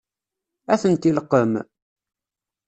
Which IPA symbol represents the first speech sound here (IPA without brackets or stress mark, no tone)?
æ